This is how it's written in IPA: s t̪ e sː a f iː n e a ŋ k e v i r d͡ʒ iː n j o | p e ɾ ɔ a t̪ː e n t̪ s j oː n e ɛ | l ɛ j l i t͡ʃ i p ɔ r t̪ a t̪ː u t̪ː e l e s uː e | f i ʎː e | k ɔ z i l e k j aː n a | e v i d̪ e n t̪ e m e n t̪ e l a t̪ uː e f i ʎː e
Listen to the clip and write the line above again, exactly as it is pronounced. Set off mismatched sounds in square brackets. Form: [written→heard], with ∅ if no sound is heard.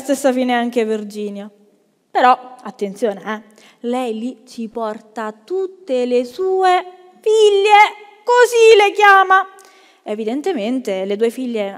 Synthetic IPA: s t̪ e sː a f iː n e a ŋ k e v i r d͡ʒ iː n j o | p e ɾ ɔ a t̪ː e n t̪ s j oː n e ɛ | l ɛ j l i t͡ʃ i p ɔ r t̪ a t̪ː u t̪ː e l e s uː e | f i ʎː e | k [ɔ→o] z i l e k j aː [n→m] a | e v i d̪ e n t̪ e m e n t̪ e l [a→e] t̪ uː e f i ʎː e